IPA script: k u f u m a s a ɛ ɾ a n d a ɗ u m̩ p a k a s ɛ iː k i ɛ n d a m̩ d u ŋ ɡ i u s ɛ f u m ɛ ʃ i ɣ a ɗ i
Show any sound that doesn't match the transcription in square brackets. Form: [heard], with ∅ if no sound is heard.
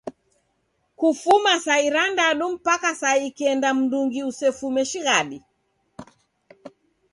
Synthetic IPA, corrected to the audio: k u f u m a s a [i] ɾ a n d a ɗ u m̩ p a k a s [a] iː k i ɛ n d a m̩ d u ŋ ɡ i u s ɛ f u m ɛ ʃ i ɣ a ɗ i